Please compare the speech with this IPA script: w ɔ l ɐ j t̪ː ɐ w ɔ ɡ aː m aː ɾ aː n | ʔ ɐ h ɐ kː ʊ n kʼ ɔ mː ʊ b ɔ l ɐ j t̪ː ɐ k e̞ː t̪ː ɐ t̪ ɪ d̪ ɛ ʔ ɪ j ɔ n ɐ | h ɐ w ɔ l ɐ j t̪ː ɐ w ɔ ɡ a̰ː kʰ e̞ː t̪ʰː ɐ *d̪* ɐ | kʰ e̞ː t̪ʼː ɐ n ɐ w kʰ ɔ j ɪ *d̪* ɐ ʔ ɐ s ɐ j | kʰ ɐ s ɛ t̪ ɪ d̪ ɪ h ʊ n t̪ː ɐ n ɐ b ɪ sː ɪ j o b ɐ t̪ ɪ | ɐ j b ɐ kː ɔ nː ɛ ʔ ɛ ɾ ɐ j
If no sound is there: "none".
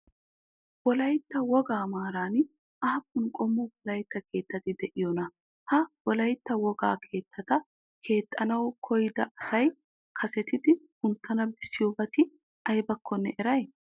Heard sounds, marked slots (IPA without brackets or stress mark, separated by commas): t̪, d̪